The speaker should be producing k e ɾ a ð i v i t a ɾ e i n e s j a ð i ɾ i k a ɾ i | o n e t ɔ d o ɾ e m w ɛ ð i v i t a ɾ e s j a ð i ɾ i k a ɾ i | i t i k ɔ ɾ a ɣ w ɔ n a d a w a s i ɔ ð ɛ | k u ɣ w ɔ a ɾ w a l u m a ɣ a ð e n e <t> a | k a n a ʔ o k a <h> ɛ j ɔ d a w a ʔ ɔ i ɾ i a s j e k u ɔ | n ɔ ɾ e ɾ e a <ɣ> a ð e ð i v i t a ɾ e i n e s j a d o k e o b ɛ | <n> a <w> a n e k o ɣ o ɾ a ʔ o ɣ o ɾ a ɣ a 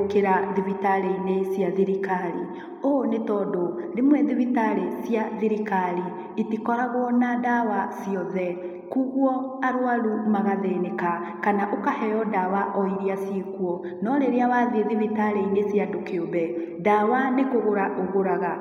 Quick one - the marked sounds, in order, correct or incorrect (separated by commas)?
incorrect, correct, incorrect, incorrect, correct